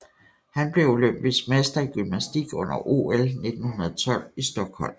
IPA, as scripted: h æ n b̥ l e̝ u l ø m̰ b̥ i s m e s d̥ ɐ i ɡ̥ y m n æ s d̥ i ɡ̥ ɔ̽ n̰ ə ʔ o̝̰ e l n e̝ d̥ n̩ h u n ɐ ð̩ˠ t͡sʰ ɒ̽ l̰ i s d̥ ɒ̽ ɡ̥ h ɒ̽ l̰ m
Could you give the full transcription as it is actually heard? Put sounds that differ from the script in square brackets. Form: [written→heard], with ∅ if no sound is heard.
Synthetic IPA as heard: h æ n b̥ l e̝ u l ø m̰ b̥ i s m e s d̥ ɐ i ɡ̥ y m n æ s d̥ i ɡ̥ ɔ̽ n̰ [ə→ɐ] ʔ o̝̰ e l n e̝ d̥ n̩ h u n ɐ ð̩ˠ t͡sʰ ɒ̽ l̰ i s d̥ ɒ̽ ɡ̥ h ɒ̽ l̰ m